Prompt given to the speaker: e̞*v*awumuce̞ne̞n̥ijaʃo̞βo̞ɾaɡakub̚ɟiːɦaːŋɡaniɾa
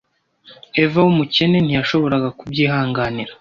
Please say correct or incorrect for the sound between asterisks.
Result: correct